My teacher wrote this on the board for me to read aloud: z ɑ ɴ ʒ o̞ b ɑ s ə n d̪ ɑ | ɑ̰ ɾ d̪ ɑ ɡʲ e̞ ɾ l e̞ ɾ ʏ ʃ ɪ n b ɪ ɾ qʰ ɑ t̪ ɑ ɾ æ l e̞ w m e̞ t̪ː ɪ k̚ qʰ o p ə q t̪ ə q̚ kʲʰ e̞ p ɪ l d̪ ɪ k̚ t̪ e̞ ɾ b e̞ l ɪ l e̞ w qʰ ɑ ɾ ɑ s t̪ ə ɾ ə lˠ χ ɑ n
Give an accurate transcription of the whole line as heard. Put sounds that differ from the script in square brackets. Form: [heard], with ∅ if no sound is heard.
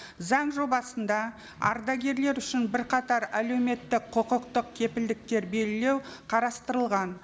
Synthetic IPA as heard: z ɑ ɴ ʒ o̞ b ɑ s ə n d̪ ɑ | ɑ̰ ɾ d̪ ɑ ɡʲ e̞ ɾ l e̞ ɾ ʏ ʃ ɪ n b ɪ ɾ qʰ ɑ t̪ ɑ ɾ æ l e̞ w m e̞ t̪ː ɪ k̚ qʰ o [q] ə q t̪ ə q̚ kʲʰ e̞ p ɪ l d̪ ɪ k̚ t̪ e̞ ɾ b e̞ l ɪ l e̞ w qʰ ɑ ɾ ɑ s t̪ ə ɾ ə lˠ [ʁ] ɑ n